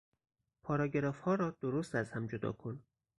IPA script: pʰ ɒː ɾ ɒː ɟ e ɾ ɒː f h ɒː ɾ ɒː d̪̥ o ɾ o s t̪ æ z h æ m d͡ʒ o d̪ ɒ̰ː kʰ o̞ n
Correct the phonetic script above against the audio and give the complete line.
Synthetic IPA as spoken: pʰ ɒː ɾ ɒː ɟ e ɾ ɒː f h ɒː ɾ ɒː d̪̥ o ɾ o s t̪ æ z h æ m d͡ʒ o d̪ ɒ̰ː kʰ o̞ n

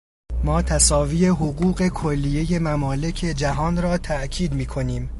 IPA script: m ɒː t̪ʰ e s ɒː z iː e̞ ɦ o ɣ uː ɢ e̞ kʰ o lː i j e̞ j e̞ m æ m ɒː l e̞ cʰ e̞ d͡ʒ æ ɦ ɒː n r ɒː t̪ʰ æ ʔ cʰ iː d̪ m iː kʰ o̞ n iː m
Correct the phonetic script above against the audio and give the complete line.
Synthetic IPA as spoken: m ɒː t̪ʰ æ s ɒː v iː e̞ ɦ o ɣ uː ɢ e̞ kʰ o lː i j e̞ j e̞ m æ m ɒː l e̞ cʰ e̞ d͡ʒ æ ɦ ɒː n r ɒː t̪ʰ æ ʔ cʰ iː d̪ m iː kʰ o̞ n iː m

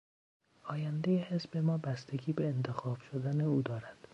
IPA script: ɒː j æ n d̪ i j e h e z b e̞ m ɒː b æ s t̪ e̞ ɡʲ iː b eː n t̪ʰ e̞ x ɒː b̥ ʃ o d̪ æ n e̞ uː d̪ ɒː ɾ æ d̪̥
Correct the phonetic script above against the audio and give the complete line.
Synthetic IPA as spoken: ɒː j æ n d̪ e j e h e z b e̞ m ɒː b æ s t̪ e̞ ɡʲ iː b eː n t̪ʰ e̞ x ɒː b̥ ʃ o d̪ æ n e̞ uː d̪ ɒː ɾ æ d̪̥

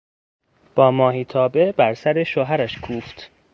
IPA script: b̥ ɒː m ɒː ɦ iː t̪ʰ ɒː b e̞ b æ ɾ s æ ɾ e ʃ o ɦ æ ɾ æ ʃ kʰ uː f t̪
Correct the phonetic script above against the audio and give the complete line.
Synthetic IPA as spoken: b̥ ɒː m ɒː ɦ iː t̪ʰ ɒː b e̞ b æ ɾ s æ ɾ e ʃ o ɦ æ ɾ æ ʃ kʰ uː f t̪

